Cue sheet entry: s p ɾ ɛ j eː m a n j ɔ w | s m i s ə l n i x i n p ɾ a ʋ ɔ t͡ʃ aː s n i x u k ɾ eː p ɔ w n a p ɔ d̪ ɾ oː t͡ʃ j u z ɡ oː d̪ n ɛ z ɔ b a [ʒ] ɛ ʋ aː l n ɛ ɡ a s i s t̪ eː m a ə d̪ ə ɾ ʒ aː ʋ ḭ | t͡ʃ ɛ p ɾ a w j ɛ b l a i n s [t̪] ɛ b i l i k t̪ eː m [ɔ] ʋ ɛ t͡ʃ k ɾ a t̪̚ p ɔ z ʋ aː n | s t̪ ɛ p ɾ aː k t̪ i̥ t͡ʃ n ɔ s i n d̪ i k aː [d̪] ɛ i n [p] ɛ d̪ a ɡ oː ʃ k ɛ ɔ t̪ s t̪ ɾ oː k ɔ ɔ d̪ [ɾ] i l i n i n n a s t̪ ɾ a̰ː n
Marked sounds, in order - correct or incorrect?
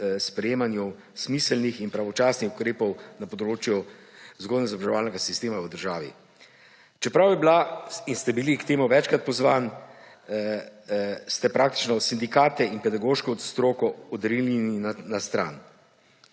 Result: correct, correct, incorrect: u, incorrect: t̪, correct, correct

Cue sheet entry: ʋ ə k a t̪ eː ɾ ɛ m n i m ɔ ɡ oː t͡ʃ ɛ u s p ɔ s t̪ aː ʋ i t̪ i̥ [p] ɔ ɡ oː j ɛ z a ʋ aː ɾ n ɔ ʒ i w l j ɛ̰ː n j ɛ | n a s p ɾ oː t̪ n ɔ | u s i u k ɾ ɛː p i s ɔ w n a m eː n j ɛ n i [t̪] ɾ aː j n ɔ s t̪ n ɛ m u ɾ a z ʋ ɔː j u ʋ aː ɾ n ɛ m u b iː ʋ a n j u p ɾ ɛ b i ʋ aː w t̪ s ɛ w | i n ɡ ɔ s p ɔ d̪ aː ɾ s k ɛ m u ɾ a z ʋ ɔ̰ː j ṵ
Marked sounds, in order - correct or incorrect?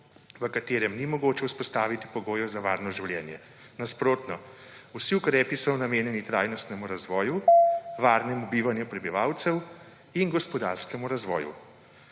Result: correct, correct

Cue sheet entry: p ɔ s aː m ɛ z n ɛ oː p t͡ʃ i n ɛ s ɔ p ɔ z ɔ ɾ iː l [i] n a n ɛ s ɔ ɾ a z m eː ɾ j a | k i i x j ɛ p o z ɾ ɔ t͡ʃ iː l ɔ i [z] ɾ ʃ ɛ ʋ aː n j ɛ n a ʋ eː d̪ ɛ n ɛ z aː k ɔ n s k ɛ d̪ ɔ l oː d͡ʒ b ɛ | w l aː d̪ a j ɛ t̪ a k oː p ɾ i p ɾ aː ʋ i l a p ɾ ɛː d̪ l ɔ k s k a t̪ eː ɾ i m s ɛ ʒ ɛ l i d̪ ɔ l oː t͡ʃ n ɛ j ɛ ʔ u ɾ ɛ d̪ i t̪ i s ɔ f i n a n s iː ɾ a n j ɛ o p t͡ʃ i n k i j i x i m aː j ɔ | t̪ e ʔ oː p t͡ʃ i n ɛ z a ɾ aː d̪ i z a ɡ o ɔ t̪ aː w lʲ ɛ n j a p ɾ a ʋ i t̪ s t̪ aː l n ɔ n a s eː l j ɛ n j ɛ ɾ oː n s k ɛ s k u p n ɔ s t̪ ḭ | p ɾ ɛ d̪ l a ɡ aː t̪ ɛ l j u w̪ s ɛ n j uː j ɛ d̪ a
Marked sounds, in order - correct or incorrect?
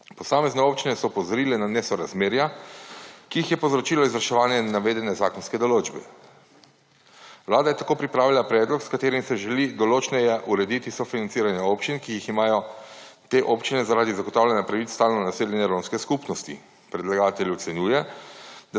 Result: incorrect: ɛ, correct

